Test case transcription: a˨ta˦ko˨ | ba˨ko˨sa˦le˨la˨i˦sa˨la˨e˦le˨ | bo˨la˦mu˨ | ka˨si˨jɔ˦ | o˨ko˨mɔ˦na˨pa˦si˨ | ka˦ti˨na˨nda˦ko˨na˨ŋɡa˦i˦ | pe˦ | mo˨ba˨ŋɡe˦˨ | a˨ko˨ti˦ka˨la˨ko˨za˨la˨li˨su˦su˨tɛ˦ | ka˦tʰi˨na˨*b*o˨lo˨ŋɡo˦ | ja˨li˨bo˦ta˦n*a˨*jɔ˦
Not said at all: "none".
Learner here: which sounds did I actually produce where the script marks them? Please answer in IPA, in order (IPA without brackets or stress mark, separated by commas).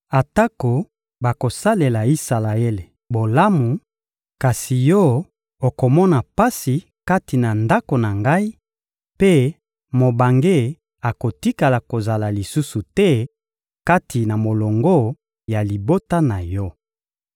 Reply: m, a˨